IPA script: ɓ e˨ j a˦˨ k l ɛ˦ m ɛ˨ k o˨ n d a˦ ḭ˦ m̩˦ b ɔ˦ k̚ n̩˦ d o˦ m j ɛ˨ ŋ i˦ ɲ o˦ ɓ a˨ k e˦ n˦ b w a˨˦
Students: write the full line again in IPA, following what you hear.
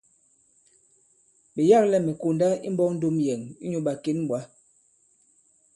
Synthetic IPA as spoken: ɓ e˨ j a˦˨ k l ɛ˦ m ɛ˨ k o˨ n d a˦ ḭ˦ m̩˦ b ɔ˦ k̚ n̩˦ d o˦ m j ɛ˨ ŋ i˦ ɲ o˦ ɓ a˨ k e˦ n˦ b w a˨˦